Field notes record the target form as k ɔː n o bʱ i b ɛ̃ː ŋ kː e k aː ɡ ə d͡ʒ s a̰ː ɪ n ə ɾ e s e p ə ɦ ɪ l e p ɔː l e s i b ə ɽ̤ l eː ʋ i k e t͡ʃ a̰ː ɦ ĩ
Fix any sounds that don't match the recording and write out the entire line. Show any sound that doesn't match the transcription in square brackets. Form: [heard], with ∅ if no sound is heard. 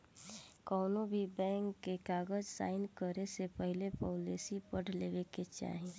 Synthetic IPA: k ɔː n o bʱ i b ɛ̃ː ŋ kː e k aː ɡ ə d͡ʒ s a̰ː ɪ n ə ɾ e s e p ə ɦ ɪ l e p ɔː l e s i [p] ə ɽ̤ l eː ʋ [e] k e t͡ʃ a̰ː ɦ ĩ

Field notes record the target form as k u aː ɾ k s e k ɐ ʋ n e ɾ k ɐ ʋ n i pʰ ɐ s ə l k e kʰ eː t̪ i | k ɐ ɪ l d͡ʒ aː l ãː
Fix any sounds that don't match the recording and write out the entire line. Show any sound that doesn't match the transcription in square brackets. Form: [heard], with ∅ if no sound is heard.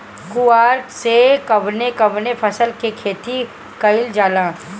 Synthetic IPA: k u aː ɾ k s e k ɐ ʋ n e [∅] k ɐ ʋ n [e] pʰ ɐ s ə l k e kʰ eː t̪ i | k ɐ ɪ l d͡ʒ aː l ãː

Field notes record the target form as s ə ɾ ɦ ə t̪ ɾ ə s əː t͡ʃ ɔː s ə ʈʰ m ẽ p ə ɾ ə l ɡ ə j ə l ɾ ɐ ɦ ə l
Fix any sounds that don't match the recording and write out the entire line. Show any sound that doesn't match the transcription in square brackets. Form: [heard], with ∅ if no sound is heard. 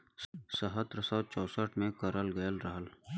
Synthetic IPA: s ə [∅] ɦ ə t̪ ɾ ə s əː t͡ʃ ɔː s ə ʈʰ m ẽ [k] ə ɾ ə l ɡ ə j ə l ɾ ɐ ɦ ə l

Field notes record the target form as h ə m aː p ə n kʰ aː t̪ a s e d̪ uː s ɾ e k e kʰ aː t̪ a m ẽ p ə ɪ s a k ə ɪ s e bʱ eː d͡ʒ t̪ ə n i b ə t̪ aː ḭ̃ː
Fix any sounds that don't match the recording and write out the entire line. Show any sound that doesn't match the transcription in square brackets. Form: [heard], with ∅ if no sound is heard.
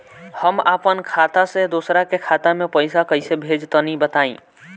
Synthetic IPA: h ə m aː p ə n kʰ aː t̪ a s e d̪ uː s ɾ [a] k e kʰ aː t̪ a m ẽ p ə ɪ s a k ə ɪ s e bʱ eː d͡ʒ t̪ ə n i b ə t̪ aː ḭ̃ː

